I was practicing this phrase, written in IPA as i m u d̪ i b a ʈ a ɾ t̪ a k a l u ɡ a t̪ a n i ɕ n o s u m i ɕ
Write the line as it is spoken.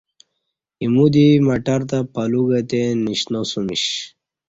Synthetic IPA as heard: i m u d̪ i m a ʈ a ɾ t̪ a p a l u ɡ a t̪ e n i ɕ n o s u m i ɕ